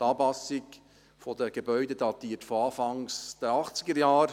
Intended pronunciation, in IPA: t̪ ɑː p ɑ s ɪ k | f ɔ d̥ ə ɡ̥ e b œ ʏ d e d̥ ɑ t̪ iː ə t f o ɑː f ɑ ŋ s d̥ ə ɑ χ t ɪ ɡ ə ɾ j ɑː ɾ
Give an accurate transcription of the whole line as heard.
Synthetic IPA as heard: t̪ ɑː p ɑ s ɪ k | f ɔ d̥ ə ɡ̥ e b œ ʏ d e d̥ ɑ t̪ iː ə t f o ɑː f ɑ ŋ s d̥ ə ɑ χ t͡s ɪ ɡ ə ɾ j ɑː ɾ